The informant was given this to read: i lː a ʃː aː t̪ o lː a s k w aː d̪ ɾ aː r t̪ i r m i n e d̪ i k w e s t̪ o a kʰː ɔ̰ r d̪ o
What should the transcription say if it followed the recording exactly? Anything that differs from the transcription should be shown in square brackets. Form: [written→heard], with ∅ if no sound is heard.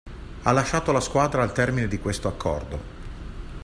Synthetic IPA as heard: [i→a] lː a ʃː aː t̪ o [lː→l] a s k w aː d̪ ɾ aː [r→l] t̪ [i→ɛ] r m i n e d̪ i k w e s t̪ o a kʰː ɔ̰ r d̪ o

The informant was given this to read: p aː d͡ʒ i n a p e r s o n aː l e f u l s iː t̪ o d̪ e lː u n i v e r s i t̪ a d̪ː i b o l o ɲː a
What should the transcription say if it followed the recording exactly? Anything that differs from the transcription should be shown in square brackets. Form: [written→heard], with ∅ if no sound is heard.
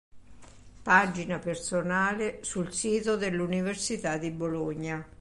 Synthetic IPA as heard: p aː d͡ʒ i n a p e r s o n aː l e [f→s] u l s iː t̪ o d̪ e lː u n i v e r s i t̪ a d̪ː i b o l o ɲː a

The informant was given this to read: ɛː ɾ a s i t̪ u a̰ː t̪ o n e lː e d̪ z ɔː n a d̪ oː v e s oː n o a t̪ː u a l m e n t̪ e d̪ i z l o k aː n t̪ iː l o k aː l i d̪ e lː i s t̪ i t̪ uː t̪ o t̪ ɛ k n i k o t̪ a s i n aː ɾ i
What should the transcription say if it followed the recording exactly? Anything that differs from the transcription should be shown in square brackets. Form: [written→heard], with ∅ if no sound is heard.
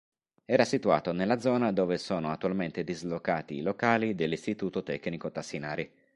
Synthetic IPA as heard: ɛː ɾ a s i t̪ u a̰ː t̪ o n e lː [e→a] d̪ z ɔː n a d̪ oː v e s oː n o a t̪ː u a l m e n t̪ e d̪ i z l o k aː [n→∅] t̪ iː l o k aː l i d̪ e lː i s t̪ i t̪ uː t̪ o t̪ ɛ k n i k o t̪ a s i n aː ɾ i

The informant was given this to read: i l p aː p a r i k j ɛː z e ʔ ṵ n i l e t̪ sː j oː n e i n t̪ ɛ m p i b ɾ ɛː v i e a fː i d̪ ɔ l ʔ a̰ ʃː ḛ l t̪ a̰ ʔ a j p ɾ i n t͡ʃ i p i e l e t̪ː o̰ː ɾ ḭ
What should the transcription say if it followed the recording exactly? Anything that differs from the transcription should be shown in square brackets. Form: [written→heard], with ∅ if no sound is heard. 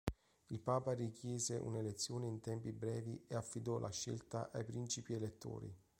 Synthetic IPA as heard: i l p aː p a r i k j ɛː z e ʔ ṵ n [i→e] l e t̪ sː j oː n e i n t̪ ɛ m p i b ɾ ɛː v i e a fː i d̪ ɔ l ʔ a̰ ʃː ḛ l t̪ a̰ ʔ a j p ɾ i n t͡ʃ i p i e l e t̪ː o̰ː ɾ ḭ

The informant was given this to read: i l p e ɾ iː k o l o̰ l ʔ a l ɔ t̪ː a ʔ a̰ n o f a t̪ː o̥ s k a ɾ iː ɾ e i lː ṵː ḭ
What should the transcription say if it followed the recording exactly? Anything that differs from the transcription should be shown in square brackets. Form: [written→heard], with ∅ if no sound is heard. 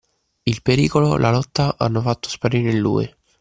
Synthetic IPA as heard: i l p e ɾ iː k o l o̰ l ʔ a l ɔ t̪ː a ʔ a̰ [n→nː] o f a t̪ː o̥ s [k→p] a ɾ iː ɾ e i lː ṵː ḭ

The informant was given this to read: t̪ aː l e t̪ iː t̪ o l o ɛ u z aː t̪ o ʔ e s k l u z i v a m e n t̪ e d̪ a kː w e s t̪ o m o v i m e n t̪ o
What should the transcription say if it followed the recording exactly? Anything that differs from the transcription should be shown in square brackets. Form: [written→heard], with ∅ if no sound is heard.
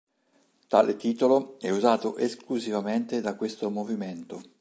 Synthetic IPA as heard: t̪ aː l e t̪ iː t̪ o l o ɛ u z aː t̪ o ʔ e s k l u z i v a m e n t̪ e d̪ a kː w e s t̪ o m o v i m e n t̪ o

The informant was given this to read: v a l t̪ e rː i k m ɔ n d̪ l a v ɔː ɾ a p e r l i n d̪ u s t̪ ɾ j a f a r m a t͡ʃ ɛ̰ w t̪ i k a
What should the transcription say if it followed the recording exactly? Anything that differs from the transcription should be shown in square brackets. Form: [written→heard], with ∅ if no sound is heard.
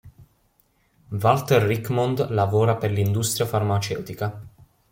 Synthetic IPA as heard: v a l t̪ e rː i k m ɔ n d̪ l a v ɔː ɾ a p e r l i n d̪ u s t̪ ɾ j a f a r m a t͡ʃ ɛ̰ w t̪ i k a

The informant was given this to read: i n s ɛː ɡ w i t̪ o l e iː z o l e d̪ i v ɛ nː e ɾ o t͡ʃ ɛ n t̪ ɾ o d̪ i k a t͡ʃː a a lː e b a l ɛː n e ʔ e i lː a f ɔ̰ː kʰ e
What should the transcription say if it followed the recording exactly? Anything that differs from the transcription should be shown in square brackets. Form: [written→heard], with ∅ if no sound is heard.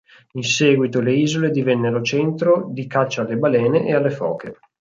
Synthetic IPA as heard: i n s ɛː ɡ w i t̪ o l e iː z o l e d̪ i v ɛ nː e ɾ o t͡ʃ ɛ n t̪ ɾ o d̪ i k a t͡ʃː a a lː e b a l ɛː n e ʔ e [i→a] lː [a→e] f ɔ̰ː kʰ e

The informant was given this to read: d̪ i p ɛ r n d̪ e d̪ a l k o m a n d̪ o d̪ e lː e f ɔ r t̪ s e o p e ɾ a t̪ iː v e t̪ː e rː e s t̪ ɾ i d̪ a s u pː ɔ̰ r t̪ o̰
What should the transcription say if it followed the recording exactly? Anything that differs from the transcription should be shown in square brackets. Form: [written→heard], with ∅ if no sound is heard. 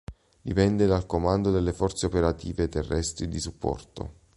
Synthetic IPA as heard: d̪ i p ɛ [r→∅] n d̪ e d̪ a l k o m a n d̪ o d̪ e lː e f ɔ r t̪ s e o p e ɾ a t̪ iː v e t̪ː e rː [e→ɛ] s t̪ ɾ i d̪ [a→i] s u pː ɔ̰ r t̪ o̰

